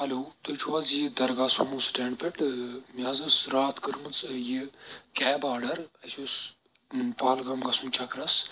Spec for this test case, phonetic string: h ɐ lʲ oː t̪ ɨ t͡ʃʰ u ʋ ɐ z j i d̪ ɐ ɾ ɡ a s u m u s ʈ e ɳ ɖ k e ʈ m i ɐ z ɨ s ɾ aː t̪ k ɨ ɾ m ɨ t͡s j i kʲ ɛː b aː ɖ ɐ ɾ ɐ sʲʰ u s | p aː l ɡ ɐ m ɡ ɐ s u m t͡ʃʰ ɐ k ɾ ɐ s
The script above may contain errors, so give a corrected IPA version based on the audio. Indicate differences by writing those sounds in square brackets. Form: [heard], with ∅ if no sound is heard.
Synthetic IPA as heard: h ɐ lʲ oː t̪ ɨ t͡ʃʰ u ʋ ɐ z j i d̪ ɐ ɾ ɡ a s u m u s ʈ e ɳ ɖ [p] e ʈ m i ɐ z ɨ s ɾ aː t̪ k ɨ ɾ m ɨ t͡s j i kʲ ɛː b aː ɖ ɐ ɾ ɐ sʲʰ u s | p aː l ɡ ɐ m ɡ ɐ s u m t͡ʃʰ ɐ k ɾ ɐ s

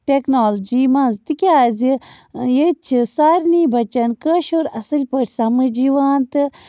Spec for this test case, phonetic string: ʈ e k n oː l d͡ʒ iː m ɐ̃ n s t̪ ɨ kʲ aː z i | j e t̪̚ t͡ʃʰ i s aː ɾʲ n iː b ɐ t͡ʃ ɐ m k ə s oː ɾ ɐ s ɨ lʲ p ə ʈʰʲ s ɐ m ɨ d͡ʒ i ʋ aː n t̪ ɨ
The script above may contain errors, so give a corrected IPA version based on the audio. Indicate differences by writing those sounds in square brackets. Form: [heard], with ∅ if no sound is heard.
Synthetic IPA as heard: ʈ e k n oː l d͡ʒ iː m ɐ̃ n [z] t̪ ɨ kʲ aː z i | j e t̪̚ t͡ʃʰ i s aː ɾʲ n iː b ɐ t͡ʃ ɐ [n] k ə [ʃ] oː ɾ ɐ s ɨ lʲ p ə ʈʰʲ s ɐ m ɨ d͡ʒ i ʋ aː n t̪ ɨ

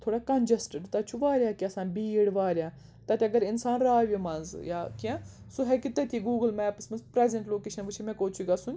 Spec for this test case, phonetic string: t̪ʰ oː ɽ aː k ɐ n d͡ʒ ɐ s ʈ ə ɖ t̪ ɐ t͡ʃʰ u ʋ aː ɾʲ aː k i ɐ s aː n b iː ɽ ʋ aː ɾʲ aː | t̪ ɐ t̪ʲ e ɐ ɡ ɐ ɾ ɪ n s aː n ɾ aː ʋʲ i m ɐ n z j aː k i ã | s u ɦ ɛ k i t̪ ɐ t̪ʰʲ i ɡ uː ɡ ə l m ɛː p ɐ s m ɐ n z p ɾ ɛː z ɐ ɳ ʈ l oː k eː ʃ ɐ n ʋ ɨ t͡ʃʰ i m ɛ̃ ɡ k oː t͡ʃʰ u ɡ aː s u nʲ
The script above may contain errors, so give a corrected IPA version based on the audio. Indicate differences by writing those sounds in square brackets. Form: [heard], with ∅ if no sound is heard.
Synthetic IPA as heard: t̪ʰ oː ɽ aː k ɐ n d͡ʒ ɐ s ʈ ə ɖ t̪ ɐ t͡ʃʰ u ʋ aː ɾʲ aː k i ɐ s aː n b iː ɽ ʋ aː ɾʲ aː | t̪ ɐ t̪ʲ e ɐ ɡ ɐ ɾ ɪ n s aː n ɾ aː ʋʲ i m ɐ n z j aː k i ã | s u ɦ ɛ k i t̪ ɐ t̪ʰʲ i ɡ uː ɡ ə l m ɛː p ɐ s m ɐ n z p ɾ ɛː z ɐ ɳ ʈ l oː k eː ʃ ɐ n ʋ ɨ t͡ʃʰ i m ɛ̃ [∅] k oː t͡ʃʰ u ɡ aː s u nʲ

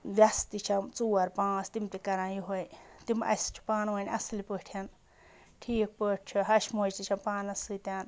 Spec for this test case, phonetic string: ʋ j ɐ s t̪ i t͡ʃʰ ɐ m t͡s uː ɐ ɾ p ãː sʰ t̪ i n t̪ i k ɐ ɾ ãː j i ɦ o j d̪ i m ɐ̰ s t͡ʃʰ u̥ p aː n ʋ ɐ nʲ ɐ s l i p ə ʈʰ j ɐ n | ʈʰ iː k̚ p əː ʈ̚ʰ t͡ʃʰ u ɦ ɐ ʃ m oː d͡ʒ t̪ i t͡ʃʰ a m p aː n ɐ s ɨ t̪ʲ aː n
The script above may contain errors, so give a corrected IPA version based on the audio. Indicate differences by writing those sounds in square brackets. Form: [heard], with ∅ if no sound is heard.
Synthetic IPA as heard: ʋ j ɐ s t̪ i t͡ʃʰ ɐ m t͡s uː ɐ ɾ p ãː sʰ t̪ i [m] t̪ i k ɐ ɾ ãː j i ɦ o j [t̪] i m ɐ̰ s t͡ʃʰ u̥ p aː n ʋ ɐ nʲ ɐ s l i p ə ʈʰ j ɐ n | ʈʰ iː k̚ p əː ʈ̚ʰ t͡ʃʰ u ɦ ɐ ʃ m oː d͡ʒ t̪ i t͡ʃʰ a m p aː n ɐ s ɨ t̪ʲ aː n

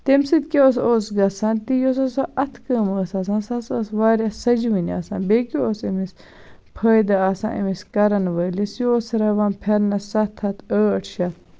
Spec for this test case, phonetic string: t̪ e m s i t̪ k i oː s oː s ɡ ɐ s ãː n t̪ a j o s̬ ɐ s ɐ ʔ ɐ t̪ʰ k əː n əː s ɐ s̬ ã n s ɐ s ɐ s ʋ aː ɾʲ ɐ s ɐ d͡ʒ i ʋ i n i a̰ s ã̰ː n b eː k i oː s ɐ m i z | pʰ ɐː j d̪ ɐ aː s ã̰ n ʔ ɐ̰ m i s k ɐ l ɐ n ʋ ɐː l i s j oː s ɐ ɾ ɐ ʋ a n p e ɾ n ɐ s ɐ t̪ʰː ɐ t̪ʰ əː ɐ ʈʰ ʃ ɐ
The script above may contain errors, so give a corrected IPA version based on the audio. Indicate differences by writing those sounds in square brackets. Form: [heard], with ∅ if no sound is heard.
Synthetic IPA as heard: t̪ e m s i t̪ k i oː s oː s ɡ ɐ s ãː n t̪ [i] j o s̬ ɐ s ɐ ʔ ɐ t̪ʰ k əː [m] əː s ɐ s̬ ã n s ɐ s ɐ s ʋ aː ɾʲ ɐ s ɐ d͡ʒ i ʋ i n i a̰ s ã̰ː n b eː k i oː s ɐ m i [s] | pʰ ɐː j d̪ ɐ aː s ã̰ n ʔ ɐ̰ m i s k ɐ [ɾ] ɐ n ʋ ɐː l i s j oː s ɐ ɾ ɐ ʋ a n [pʰ] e ɾ n ɐ s ɐ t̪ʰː ɐ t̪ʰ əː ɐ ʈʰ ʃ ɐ

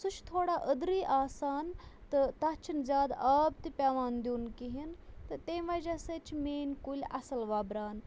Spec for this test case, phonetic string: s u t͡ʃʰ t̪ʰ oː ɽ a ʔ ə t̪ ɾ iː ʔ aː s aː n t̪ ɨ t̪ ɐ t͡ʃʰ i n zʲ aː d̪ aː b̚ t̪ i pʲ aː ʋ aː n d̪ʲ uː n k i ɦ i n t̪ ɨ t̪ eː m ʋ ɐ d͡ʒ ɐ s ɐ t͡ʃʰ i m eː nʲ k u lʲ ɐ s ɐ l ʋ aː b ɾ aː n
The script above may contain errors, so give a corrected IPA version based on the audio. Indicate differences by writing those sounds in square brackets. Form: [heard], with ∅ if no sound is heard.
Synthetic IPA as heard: s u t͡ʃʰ t̪ʰ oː ɽ a ʔ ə [d̪] ɾ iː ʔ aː s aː n t̪ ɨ t̪ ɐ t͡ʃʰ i n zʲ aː d̪ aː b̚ t̪ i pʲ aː ʋ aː n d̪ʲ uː n k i ɦ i n t̪ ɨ t̪ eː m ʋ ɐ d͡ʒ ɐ s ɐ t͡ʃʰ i m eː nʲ k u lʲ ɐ s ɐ l ʋ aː b ɾ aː n

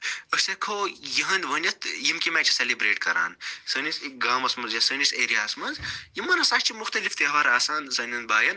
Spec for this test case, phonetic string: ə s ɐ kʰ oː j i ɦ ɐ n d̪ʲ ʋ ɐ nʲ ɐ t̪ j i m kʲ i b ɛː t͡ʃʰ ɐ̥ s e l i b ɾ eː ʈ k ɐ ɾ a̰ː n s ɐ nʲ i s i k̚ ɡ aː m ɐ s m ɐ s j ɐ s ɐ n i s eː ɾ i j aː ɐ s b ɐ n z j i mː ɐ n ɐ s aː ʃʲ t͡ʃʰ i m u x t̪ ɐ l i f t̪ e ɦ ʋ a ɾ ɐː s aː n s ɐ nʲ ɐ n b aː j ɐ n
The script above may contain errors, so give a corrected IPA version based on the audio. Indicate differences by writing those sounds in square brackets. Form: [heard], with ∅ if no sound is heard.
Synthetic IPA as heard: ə s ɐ kʰ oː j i ɦ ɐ n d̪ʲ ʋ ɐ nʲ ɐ t̪ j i m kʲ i [m] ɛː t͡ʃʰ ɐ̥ s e l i b ɾ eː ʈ k ɐ ɾ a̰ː n s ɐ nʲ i s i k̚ ɡ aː m ɐ s m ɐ [z] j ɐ s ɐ n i s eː ɾ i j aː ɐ s [m] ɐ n z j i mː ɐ n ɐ s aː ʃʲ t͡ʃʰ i m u x t̪ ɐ l i f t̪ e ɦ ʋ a ɾ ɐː s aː n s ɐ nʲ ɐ n b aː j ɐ n

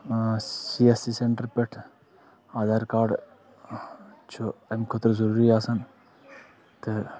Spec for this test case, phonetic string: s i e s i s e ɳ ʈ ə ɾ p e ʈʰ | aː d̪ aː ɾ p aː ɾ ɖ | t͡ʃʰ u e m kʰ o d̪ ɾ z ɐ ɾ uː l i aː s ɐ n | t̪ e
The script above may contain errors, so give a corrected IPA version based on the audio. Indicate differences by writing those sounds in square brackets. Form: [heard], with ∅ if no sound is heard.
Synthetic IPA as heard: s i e s i s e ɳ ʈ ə ɾ p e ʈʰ | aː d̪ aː ɾ [k] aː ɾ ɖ | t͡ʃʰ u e m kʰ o [t̪] ɾ z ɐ ɾ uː [ɾ] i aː s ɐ n | t̪ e

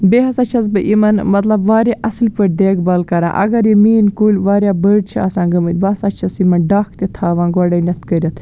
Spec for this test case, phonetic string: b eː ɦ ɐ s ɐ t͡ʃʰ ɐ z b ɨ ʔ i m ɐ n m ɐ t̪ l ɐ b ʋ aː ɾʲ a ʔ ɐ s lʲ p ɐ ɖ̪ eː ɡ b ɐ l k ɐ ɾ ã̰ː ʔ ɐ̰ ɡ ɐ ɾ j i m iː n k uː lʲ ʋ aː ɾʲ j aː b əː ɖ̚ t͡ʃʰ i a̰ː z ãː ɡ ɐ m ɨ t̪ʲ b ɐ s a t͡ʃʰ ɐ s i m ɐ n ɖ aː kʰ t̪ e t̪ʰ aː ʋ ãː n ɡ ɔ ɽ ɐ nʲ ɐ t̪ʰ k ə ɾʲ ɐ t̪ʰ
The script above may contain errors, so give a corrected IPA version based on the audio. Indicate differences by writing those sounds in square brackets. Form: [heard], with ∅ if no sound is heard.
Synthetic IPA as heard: b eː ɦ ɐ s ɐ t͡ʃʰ ɐ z b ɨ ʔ i m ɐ n m ɐ t̪ l ɐ b ʋ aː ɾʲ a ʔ ɐ s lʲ p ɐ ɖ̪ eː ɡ b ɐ l k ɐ ɾ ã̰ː ʔ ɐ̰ ɡ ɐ ɾ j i m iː n k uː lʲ ʋ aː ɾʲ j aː b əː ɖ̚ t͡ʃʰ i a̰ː [s] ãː ɡ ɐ m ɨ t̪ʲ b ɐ s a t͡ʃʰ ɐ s i m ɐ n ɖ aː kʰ t̪ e t̪ʰ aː ʋ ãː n ɡ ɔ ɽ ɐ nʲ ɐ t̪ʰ k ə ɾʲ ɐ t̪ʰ

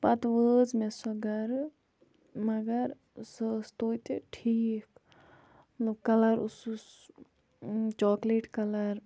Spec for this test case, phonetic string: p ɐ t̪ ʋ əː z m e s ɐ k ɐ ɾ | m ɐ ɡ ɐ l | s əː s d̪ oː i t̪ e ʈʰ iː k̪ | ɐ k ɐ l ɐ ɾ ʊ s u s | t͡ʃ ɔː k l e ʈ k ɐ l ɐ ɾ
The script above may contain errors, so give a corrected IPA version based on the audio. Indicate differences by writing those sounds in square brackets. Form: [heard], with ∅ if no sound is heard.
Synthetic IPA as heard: p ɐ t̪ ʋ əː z m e s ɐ [ɡ] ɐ ɾ | m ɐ ɡ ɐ [ɾ] | s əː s [t̪] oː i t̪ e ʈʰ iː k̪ | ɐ k ɐ l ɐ ɾ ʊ s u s | t͡ʃ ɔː k l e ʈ k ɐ l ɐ ɾ

